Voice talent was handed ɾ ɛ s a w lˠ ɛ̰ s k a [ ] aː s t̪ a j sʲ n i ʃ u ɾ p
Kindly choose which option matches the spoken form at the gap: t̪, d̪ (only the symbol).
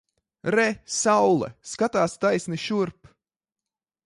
t̪